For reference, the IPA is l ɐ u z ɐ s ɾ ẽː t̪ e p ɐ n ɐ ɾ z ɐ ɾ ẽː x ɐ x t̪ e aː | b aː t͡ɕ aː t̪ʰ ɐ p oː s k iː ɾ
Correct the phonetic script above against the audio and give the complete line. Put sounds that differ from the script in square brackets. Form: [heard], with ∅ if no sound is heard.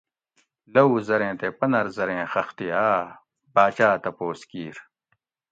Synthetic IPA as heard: l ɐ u z ɐ [∅] ɾ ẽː t̪ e p ɐ n ɐ ɾ z ɐ ɾ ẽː x ɐ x t̪ [i] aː | b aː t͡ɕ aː [t̪] ɐ p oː s k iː ɾ